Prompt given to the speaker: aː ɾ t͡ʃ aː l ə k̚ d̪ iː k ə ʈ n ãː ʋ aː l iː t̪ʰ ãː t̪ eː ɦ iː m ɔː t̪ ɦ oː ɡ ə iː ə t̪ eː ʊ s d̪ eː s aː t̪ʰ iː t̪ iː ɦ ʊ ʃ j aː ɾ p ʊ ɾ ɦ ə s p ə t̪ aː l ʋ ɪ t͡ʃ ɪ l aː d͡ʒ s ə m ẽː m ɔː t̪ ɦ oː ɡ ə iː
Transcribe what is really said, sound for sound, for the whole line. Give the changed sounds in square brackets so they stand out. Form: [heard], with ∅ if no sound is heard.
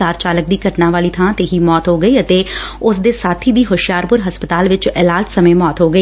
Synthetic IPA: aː ɾ t͡ʃ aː l ə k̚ d̪ iː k ə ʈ n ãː ʋ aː l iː t̪ʰ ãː t̪ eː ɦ iː m ɔː t̪ ɦ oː ɡ ə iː ə t̪ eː ʊ s d̪ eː s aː t̪ʰ iː [d̪] iː ɦ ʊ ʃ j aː ɾ p ʊ ɾ ɦ ə s p ə t̪ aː l ʋ ɪ t͡ʃ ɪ l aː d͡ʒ s ə m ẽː m ɔː t̪ ɦ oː ɡ ə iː